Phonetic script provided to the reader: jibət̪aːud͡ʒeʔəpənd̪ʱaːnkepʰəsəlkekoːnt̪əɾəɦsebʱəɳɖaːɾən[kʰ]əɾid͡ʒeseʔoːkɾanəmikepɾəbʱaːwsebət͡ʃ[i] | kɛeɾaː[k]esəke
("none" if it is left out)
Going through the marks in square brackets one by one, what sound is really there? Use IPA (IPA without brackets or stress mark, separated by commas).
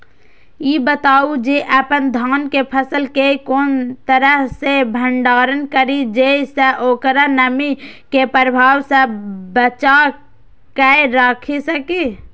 k, a, kʰ